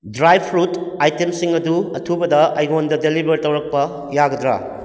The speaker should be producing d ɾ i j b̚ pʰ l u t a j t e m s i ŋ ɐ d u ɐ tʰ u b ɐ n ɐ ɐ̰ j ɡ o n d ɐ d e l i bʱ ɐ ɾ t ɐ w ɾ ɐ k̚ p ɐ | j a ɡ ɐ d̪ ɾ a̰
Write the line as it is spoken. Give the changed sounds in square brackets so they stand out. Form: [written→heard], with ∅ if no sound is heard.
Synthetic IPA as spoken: d ɾ [i→a] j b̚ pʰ [l→ɾ] u t a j t e m s i ŋ ɐ d u ɐ tʰ u b ɐ [n→d] ɐ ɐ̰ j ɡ o n d ɐ d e l i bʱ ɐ ɾ t ɐ w ɾ ɐ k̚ p ɐ | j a ɡ ɐ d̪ ɾ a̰